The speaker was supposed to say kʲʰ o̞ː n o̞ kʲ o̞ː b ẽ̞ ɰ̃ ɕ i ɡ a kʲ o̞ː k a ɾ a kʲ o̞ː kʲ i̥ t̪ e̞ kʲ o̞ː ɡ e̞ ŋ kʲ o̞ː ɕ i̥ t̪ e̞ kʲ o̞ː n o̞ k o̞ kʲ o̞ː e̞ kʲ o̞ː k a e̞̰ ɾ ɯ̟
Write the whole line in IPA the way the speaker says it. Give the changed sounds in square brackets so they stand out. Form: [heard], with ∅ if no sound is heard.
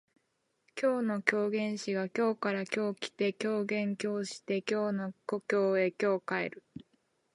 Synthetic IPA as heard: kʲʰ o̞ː n o̞ kʲ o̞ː [ɡ] ẽ̞ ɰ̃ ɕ i ɡ a kʲ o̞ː k a ɾ a kʲ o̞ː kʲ i̥ t̪ e̞ kʲ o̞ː ɡ [ẽ̞] ŋ kʲ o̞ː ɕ i̥ t̪ e̞ kʲ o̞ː n o̞ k o̞ kʲ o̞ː e̞ kʲ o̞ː k a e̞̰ ɾ ɯ̟